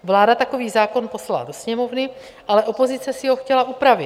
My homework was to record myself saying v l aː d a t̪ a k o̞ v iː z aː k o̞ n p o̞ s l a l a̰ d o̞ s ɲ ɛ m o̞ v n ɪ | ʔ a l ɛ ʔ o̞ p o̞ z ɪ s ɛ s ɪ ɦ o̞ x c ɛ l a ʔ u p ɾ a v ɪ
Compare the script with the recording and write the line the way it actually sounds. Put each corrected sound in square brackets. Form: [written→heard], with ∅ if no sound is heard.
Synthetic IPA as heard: v l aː d a t̪ a k o̞ v iː z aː k o̞ n p o̞ s l a l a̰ d o̞ s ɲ ɛ m o̞ v n ɪ | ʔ a l ɛ ʔ o̞ p o̞ z ɪ [s→t͡s] ɛ s ɪ ɦ o̞ x c ɛ l a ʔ u p ɾ a v ɪ